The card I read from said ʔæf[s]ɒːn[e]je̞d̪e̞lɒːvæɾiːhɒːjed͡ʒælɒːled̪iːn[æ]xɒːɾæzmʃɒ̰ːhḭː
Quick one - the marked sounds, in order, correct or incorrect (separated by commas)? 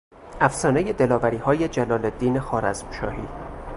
correct, correct, incorrect